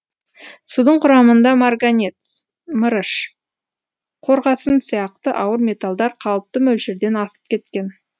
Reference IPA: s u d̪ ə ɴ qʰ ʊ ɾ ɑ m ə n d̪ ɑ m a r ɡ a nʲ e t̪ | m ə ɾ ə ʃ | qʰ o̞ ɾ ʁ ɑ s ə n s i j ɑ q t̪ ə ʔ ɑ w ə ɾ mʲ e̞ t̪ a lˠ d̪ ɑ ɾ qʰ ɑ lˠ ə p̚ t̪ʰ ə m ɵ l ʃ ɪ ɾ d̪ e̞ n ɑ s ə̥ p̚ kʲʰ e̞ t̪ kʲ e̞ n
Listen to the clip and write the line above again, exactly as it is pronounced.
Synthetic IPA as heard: s u d̪ ə ɴ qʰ ʊ ɾ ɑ m ə n d̪ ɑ m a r ɡ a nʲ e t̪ | m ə ɾ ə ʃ | qʰ o̞ ɾ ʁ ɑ s ə n s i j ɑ q t̪ ə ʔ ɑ w ə ɾ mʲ e̞ t̪ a lˠ d̪ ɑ ɾ qʰ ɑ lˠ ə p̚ t̪ ə m ɵ l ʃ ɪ ɾ d̪ e̞ n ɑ s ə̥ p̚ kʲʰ e̞ t̪ kʲ e̞ n